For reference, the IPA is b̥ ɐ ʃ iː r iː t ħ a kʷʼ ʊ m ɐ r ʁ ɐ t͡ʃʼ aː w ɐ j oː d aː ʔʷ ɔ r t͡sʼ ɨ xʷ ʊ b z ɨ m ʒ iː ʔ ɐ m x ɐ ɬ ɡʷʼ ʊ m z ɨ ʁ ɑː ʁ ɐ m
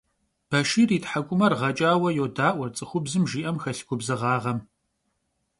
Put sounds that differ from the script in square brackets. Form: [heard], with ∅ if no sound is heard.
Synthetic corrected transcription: b̥ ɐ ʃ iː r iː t ħ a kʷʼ ʊ m ɐ r ʁ ɐ t͡ʃʼ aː w ɐ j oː d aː ʔʷ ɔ r t͡sʼ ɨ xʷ ʊ b z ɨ m ʒ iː ʔ ɐ m x ɐ ɬ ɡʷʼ ʊ [b] z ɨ ʁ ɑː ʁ ɐ m